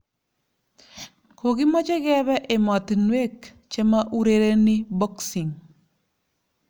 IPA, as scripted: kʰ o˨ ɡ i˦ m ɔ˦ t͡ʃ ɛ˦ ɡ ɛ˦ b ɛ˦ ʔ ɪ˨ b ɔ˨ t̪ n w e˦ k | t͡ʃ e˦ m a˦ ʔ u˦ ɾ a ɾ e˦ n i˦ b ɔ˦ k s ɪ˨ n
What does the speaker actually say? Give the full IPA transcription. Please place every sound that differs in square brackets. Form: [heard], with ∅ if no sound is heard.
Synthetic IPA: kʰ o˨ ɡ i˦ m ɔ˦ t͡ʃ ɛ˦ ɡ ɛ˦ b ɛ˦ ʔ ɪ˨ [m] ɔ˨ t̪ n w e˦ k | t͡ʃ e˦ m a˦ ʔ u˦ ɾ [e] ɾ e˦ n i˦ b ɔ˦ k s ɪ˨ [ŋ]